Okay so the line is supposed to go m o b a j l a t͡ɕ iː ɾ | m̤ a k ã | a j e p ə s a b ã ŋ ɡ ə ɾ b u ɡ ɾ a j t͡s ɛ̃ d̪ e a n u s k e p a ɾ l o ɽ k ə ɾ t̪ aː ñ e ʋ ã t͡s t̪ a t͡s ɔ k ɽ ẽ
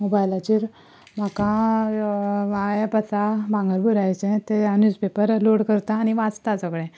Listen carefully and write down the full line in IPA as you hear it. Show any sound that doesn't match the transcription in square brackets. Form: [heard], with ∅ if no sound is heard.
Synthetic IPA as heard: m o b a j l a t͡ɕ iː ɾ | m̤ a k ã | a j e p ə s a b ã ŋ ɡ ə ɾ b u [∅] ɾ a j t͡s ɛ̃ [t̪] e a n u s [p] e p [ə] ɾ l o ɽ k ə ɾ t̪ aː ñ [i] ʋ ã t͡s t̪ a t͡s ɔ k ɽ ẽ